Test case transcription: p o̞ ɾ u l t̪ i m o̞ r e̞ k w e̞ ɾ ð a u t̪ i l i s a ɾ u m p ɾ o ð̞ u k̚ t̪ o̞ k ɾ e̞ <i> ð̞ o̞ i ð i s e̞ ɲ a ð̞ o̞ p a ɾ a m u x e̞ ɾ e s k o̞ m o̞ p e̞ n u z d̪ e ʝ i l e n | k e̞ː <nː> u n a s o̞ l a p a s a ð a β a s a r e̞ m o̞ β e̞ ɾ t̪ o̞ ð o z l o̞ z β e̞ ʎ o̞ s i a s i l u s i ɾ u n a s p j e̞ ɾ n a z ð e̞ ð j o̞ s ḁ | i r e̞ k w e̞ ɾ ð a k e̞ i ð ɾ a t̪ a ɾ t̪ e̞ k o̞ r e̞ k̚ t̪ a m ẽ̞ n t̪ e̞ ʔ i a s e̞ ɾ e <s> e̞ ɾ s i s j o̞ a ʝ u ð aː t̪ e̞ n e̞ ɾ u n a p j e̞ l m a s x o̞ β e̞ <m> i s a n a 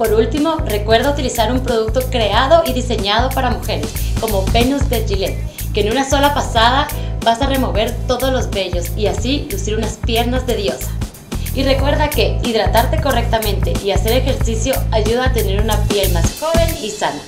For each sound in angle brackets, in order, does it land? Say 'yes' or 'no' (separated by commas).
no, no, no, no